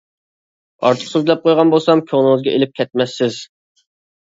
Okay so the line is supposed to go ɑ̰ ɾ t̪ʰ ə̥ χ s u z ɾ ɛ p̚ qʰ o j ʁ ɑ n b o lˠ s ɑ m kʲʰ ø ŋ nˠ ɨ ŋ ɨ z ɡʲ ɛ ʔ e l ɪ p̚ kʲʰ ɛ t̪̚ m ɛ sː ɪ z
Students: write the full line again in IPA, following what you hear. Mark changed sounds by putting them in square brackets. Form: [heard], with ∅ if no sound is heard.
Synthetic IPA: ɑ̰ ɾ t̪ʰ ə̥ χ s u z [l] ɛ p̚ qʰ o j ʁ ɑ n b o lˠ s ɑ m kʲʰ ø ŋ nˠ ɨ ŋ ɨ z ɡʲ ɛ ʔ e l ɪ p̚ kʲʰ ɛ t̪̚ m ɛ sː ɪ z